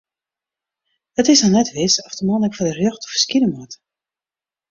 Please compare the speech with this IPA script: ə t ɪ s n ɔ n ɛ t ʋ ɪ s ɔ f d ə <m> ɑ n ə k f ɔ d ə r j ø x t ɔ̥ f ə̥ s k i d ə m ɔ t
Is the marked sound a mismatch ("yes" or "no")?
no